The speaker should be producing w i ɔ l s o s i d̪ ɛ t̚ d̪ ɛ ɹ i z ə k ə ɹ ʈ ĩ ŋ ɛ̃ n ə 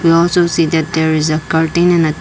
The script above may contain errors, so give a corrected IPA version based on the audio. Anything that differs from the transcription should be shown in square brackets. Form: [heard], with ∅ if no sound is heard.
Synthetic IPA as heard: w i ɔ l s o s i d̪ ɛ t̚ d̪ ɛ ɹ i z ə k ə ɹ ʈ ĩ [n] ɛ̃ n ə